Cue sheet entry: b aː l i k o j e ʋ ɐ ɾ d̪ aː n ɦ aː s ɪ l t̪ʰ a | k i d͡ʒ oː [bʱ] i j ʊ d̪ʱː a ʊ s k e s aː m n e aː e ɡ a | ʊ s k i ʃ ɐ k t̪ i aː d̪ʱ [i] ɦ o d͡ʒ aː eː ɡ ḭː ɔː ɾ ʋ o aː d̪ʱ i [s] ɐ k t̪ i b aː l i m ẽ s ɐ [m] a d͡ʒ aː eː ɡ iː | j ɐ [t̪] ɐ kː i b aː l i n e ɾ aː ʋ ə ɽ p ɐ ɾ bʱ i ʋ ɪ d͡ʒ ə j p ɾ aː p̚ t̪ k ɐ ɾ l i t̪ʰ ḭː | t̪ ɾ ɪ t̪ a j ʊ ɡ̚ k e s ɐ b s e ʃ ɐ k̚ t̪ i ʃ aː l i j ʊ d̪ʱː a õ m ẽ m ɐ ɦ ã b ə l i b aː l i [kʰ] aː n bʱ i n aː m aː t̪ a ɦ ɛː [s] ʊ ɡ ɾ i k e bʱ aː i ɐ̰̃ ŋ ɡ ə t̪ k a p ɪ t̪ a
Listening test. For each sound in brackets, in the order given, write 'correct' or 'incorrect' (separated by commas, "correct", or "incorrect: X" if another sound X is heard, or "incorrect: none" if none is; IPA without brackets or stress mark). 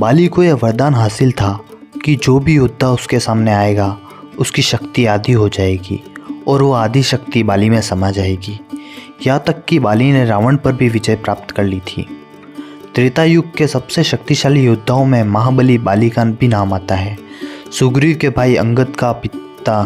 correct, correct, incorrect: ʃ, correct, correct, incorrect: k, correct